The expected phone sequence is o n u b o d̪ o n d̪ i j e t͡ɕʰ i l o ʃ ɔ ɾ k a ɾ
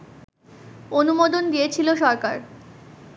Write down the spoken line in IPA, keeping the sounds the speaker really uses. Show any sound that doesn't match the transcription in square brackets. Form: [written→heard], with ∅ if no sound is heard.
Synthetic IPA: o n u [b→m] o d̪ o n d̪ i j e t͡ɕʰ i l o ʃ ɔ ɾ k a ɾ